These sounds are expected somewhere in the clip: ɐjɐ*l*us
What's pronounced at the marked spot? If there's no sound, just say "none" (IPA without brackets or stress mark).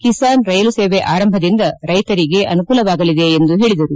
l